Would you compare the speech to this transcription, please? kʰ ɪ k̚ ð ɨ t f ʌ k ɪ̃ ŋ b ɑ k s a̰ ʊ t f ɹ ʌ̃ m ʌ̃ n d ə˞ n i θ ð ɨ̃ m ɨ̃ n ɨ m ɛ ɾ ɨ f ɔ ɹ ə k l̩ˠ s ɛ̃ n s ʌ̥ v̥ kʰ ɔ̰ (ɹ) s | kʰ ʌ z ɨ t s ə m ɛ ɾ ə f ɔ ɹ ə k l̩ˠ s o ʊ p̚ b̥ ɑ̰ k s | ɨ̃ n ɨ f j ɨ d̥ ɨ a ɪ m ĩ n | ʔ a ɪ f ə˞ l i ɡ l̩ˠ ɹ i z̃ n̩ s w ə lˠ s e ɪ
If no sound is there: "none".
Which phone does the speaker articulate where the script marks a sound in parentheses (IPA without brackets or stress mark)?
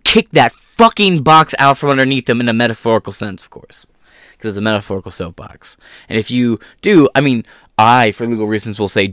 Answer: ɹ